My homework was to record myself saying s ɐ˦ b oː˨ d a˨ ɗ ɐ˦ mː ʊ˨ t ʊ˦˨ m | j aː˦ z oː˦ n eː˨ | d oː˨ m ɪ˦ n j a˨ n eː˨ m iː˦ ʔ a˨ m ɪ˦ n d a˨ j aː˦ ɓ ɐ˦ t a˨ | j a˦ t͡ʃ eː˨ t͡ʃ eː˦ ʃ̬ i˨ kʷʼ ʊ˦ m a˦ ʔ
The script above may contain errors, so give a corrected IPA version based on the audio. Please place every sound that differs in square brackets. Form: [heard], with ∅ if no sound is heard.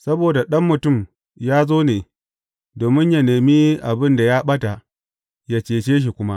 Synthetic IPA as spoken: s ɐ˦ b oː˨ d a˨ ɗ ɐ˦ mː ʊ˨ t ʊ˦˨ m | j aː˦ z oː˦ n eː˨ | d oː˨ m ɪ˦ [ɲ] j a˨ n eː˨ m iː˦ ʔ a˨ [b] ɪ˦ n d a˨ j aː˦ ɓ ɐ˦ t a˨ | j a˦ t͡ʃ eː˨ t͡ʃ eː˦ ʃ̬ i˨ [kʷ] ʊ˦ m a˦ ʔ